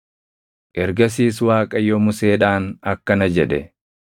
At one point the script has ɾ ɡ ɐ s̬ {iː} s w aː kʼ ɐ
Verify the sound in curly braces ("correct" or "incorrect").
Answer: correct